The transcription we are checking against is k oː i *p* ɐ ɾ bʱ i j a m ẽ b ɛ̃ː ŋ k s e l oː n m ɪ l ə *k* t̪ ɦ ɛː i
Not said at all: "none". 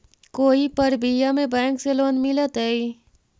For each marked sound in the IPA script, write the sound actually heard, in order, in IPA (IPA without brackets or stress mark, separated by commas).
p, none